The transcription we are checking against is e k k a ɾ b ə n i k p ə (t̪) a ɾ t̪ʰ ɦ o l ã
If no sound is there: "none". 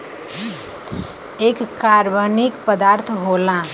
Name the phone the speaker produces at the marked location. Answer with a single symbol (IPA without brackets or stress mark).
d̪